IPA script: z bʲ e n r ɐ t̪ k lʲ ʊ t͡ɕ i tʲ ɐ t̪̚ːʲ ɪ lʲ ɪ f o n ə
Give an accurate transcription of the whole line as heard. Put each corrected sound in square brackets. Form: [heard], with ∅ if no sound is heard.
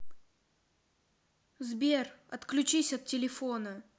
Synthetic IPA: z bʲ e [∅] r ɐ t̪ k lʲ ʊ t͡ɕ i [sʲ] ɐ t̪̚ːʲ ɪ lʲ ɪ f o n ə

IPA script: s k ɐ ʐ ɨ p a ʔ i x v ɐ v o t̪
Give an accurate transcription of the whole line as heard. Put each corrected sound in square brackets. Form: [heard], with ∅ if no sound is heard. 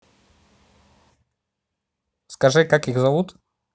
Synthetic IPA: s k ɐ ʐ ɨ [k] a [k] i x [z] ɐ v [u] t̪

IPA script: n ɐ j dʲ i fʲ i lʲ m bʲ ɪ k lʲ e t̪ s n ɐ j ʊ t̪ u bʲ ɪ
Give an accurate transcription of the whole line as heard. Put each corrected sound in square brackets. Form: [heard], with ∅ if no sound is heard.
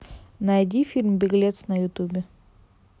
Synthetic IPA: n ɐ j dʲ i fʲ i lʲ m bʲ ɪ [ɡ] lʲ e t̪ s n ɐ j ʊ t̪ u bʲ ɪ

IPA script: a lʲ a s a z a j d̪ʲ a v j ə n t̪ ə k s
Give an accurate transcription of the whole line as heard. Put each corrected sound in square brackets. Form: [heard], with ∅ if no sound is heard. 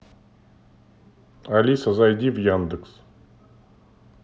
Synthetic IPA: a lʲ [i] s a z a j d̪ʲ [i] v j [a] n [d̪] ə k s

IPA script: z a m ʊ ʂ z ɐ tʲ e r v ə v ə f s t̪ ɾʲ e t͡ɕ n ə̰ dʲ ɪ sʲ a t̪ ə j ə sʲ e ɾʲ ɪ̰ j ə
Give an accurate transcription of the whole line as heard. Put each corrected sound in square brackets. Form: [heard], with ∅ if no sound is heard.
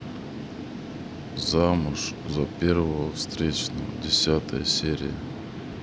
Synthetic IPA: z a m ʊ ʂ z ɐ [pʲ] e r v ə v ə f s t̪ ɾʲ e t͡ɕ n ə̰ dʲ ɪ sʲ a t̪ ə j ə sʲ e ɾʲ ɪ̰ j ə

